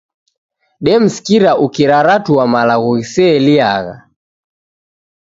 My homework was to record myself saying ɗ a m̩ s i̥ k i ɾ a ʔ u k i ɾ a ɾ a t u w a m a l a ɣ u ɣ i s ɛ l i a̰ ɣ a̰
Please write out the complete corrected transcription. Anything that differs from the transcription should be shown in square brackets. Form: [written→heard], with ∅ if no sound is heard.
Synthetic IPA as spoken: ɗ [a→ɛ] m̩ s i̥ k i ɾ a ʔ u k i ɾ a ɾ a t u w a m a l a ɣ u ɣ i s ɛ l i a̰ ɣ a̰